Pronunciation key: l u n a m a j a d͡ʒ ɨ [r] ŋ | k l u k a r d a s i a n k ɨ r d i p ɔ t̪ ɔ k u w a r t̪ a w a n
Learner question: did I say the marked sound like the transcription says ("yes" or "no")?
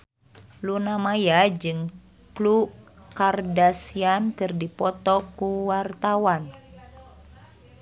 no